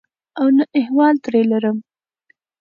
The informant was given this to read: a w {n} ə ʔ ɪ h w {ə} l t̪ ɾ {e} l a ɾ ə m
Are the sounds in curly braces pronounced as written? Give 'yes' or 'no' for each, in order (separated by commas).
yes, no, yes